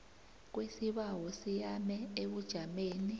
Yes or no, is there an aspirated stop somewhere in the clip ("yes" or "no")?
no